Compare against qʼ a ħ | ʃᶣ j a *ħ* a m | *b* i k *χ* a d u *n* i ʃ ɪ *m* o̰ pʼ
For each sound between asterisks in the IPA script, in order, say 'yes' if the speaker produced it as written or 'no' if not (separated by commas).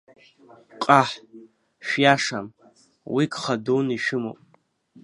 no, no, yes, yes, yes